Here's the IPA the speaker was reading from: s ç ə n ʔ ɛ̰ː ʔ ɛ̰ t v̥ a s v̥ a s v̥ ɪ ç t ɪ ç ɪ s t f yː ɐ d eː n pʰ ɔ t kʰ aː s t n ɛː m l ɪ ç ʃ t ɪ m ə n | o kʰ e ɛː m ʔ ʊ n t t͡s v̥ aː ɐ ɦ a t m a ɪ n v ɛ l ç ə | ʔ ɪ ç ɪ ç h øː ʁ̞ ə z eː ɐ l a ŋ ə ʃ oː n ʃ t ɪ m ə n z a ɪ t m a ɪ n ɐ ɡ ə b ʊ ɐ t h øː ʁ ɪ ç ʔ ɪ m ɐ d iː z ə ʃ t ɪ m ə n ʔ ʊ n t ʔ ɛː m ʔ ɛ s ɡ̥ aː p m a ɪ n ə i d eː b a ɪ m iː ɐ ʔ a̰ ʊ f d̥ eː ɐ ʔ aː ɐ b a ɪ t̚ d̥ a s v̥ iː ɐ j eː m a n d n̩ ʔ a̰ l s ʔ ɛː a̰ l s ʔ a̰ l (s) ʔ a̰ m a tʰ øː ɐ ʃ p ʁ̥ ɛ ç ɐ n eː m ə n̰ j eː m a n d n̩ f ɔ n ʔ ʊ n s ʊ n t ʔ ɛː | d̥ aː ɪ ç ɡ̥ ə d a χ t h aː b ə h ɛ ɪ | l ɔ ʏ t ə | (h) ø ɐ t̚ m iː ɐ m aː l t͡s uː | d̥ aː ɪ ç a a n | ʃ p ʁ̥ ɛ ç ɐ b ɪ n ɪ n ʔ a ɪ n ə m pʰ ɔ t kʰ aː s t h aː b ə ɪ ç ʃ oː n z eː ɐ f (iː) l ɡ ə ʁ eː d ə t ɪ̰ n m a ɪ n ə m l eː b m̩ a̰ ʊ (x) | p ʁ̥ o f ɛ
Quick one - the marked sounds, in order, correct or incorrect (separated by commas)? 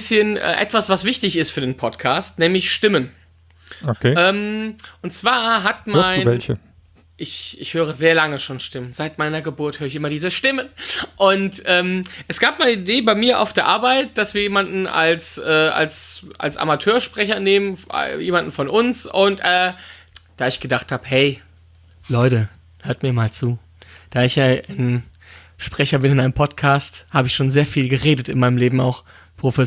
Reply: correct, correct, correct, correct